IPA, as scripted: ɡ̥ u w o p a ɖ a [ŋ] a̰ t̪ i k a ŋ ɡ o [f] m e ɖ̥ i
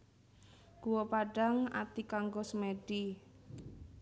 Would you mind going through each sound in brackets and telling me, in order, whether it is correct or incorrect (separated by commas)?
correct, incorrect